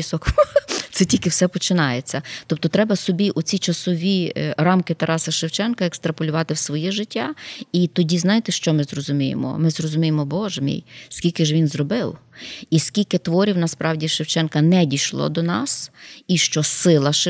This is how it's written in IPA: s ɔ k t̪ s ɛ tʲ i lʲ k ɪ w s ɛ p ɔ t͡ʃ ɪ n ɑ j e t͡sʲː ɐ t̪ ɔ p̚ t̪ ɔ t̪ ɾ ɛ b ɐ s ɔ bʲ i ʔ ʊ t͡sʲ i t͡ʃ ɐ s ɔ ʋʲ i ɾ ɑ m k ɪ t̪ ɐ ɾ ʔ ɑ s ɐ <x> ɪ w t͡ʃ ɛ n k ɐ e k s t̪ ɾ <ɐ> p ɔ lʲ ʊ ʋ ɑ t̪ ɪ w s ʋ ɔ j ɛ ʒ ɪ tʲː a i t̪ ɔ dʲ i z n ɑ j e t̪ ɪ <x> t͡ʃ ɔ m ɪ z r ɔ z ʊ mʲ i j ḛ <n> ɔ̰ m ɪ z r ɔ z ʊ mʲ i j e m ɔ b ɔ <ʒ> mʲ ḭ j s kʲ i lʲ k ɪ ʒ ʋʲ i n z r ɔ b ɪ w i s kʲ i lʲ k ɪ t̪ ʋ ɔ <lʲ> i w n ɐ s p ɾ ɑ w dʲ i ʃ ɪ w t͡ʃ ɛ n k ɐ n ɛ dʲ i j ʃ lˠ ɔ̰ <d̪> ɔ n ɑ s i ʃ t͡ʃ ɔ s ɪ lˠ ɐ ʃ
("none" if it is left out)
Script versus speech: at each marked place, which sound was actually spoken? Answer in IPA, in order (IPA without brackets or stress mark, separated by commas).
ʃ, ɐ, ʃ, m, ʒ, ɾʲ, d̪